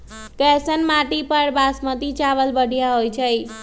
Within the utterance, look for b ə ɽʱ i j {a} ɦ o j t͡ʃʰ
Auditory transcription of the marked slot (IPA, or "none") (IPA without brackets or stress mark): a